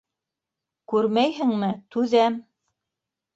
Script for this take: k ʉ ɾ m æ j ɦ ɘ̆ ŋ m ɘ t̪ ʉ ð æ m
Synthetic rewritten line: k ʉ ɾ m æ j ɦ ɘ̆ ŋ m ɘ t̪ ʉ ð æ m